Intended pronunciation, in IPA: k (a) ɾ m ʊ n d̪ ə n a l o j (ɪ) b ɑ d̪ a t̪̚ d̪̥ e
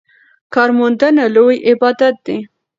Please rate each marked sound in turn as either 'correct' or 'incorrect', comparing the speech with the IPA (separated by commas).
incorrect, correct